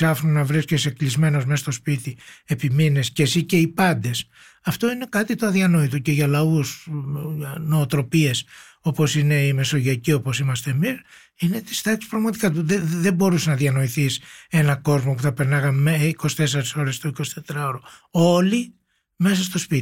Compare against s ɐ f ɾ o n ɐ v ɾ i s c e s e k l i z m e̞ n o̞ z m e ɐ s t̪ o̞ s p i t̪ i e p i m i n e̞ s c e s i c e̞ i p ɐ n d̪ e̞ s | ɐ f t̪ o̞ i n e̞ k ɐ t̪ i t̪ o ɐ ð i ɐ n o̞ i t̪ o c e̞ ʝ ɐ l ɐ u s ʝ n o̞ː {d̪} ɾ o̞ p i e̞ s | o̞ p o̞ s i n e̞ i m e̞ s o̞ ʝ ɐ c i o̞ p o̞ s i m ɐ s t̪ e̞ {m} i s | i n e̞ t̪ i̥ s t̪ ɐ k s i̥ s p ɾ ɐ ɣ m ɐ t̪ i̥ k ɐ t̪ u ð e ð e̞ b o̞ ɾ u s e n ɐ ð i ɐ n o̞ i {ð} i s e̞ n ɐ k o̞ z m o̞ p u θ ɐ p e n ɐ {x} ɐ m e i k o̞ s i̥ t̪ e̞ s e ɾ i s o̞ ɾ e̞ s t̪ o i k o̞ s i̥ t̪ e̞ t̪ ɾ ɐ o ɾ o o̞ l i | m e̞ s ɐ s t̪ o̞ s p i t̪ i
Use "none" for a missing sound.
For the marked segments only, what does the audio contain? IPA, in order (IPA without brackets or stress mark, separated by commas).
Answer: t̪, m, θ, ɣ